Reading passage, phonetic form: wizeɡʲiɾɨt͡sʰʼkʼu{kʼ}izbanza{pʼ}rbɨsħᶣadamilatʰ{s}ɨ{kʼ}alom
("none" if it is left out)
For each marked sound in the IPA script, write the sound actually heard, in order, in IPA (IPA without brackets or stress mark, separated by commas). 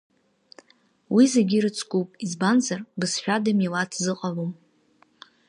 pʼ, none, z, qʼ